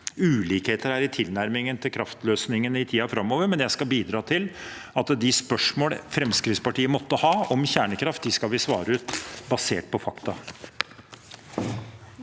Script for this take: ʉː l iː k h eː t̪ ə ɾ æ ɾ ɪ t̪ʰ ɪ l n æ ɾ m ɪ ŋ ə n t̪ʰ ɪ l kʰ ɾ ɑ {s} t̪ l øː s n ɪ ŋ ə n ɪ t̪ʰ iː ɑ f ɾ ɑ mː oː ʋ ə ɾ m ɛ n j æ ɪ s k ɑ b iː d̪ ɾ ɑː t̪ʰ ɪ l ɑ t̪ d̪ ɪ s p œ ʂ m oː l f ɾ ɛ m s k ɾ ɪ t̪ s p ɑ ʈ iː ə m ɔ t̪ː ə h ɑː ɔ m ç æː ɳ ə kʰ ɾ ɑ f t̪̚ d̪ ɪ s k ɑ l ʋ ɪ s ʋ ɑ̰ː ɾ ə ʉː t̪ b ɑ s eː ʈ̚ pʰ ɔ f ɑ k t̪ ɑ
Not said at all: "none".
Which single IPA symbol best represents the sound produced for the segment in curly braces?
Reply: f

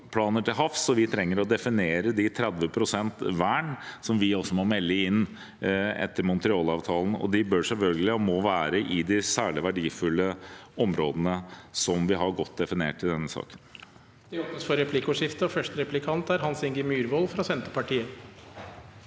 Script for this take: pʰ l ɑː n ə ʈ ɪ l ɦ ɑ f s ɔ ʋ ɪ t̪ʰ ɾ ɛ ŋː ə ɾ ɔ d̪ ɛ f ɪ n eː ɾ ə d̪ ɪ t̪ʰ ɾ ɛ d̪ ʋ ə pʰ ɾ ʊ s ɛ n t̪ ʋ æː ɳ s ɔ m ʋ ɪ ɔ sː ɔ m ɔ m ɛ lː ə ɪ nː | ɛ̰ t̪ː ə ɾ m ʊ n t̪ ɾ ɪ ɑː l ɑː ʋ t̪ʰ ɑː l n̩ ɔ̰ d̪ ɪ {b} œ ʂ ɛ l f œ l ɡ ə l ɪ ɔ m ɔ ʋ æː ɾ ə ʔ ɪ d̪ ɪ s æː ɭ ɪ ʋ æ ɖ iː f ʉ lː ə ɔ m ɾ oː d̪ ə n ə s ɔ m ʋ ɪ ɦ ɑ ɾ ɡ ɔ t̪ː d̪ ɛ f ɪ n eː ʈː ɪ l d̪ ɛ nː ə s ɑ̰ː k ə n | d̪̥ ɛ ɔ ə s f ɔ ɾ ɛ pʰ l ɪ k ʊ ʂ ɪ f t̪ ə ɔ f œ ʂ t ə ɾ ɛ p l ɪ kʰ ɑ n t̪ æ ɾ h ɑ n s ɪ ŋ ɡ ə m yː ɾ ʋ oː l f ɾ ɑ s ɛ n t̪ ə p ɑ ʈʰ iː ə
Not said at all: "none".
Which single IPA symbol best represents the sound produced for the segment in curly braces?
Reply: b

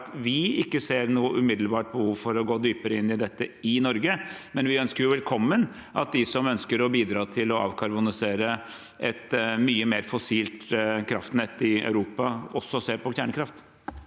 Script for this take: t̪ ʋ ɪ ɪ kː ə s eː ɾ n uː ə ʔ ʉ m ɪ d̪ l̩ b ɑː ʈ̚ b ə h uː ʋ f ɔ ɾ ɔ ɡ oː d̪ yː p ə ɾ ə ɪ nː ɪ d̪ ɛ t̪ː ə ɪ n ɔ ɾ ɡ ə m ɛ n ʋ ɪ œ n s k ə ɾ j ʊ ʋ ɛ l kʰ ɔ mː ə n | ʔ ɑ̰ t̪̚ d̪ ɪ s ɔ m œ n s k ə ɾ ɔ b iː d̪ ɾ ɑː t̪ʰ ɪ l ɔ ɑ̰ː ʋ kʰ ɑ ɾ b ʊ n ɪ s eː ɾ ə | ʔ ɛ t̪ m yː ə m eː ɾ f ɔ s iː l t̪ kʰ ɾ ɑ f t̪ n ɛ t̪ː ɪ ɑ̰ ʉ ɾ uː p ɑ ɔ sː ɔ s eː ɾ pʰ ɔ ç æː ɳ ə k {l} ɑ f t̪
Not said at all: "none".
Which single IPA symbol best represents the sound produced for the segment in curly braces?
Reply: ɾ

